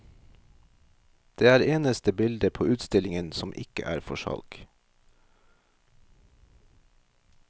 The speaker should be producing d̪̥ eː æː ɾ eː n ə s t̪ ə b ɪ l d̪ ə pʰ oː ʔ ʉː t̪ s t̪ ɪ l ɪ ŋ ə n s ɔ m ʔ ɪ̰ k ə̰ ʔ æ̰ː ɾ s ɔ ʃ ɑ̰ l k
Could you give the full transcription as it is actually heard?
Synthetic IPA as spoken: d̪̥ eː æː ɾ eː n ə s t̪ ə b ɪ l d̪ ə pʰ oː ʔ ʉː t̪ s t̪ ɪ l ɪ ŋ ə n s ɔ m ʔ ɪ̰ k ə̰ ʔ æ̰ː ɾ f ɔ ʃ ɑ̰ l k